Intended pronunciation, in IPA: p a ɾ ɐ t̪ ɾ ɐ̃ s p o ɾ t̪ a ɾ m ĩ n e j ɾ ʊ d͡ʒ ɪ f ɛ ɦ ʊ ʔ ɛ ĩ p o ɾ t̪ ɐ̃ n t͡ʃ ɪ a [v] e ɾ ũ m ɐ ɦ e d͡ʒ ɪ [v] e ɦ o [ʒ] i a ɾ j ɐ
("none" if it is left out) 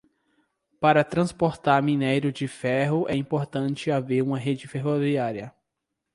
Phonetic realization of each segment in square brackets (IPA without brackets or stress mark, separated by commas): v, f, v